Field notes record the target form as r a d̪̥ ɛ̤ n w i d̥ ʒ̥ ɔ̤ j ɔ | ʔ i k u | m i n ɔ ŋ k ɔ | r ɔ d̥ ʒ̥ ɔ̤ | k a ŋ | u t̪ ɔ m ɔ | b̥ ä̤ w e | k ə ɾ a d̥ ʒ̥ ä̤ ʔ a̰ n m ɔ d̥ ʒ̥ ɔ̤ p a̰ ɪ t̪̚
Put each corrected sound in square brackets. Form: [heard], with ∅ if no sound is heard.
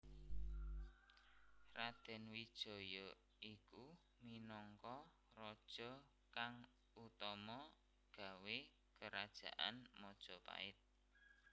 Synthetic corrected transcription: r a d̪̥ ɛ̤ n w i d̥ ʒ̥ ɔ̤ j ɔ | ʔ i k u | m i n ɔ ŋ k ɔ | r ɔ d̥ ʒ̥ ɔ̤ | k a ŋ | u t̪ ɔ m ɔ | [ɡ̥] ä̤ w e | k ə ɾ a d̥ ʒ̥ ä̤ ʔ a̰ n m ɔ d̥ ʒ̥ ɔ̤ p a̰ ɪ t̪̚